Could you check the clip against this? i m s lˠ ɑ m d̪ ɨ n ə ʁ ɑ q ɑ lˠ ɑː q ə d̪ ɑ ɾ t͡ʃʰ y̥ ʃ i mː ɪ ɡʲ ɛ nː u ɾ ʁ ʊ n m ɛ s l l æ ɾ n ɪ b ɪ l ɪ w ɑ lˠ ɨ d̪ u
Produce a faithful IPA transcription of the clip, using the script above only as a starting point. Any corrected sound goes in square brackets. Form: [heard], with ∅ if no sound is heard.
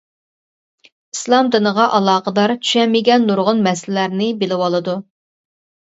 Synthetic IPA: i [∅] s lˠ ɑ m d̪ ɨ n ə ʁ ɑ [ʔ] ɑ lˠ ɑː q ə d̪ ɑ ɾ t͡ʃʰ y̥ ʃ [ɛ] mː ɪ ɡʲ ɛ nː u ɾ ʁ ʊ n m ɛ s l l æ ɾ n ɪ b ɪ l ɪ w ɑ lˠ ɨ d̪ u